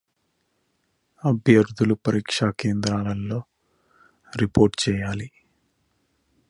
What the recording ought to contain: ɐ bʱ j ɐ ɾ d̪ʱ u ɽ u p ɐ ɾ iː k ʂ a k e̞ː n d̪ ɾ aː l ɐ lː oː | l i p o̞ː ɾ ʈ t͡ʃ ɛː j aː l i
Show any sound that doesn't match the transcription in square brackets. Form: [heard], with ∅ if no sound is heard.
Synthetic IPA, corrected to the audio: ɐ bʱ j ɐ ɾ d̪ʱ u [l] u p ɐ ɾ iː k ʂ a k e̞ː n d̪ ɾ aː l ɐ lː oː | [ɾ] i p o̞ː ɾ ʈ t͡ʃ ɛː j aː l i